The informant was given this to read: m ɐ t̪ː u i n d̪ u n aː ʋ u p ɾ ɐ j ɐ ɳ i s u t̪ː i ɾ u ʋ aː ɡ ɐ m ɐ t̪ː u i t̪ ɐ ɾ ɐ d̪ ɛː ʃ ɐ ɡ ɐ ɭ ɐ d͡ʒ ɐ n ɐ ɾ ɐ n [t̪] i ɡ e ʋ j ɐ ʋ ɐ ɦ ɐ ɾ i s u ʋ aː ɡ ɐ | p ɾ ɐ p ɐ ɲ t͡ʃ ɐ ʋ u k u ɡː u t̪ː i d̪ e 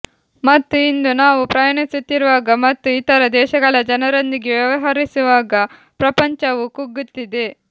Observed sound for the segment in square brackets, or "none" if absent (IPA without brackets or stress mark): d̪